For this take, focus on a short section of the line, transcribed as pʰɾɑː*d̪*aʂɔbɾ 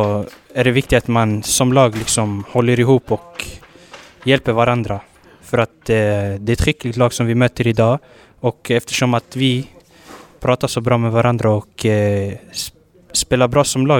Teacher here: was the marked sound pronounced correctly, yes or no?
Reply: no